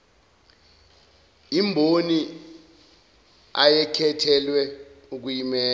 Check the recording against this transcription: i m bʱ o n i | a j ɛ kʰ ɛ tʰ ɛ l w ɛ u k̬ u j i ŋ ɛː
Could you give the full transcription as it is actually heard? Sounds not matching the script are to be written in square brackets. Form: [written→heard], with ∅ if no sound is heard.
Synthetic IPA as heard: i m bʱ o n i | a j ɛ kʰ ɛ tʰ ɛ l w ɛ u k̬ u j i [ŋ→m] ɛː